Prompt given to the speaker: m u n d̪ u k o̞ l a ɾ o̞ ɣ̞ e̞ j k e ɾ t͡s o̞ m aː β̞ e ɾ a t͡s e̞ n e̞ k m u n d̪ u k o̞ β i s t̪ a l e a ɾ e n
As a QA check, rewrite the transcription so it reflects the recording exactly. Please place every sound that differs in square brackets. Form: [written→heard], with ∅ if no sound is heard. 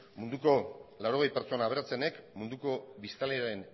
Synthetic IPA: m u n d̪ u k o̞ l a ɾ o̞ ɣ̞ e̞ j [k→p] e ɾ t͡s o̞ [m→n] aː β̞ e ɾ a t͡s e̞ n e̞ k m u n d̪ u k o̞ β i s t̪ a l e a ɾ e n